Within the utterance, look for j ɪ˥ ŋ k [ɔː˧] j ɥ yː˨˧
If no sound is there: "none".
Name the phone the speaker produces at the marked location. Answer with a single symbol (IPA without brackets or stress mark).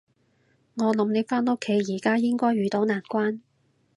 ɔː˥